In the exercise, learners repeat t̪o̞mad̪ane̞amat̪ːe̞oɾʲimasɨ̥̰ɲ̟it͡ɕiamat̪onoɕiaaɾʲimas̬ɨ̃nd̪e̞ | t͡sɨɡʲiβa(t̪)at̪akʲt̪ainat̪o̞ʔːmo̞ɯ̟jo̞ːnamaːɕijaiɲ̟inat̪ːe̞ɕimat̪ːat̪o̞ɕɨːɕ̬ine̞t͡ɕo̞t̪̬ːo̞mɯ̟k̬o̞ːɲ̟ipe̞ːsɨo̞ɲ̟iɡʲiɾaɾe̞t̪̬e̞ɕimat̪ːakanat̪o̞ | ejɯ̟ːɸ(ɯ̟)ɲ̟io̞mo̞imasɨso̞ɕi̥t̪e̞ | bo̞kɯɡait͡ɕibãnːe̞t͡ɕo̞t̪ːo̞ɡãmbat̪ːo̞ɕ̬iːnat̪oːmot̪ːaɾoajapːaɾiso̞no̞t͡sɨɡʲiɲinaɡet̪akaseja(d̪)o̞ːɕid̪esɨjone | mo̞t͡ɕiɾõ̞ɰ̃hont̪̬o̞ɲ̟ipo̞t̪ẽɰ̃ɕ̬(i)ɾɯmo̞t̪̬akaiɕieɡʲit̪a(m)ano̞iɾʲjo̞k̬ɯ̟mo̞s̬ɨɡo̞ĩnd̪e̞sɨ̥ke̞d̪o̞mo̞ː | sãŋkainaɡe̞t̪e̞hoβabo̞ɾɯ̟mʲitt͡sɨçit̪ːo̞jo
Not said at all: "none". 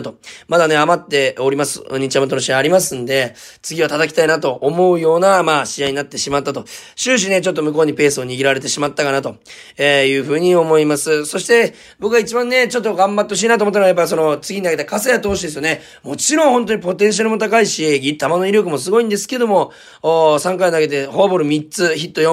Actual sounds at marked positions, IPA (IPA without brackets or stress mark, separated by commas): t̪, ɯ̟ː, t̪, a, m